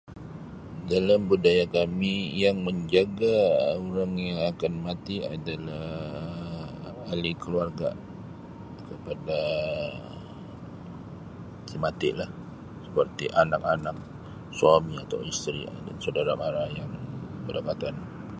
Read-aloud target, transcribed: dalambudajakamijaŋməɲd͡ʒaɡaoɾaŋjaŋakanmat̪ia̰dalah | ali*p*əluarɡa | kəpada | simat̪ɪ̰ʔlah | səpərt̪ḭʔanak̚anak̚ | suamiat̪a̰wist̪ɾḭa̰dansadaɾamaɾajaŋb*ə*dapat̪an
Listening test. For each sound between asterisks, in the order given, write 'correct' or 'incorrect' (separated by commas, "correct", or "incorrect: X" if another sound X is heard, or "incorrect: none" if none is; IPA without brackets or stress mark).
incorrect: k, correct